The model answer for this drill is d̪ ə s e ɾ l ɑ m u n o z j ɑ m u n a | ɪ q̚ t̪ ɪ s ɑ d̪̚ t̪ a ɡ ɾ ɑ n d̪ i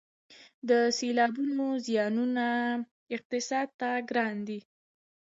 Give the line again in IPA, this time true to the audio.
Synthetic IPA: d̪ ə s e l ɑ b u n o z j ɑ n u n a | ɪ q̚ t̪ ɪ s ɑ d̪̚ t̪ a ɡ ɾ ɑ n d̪ i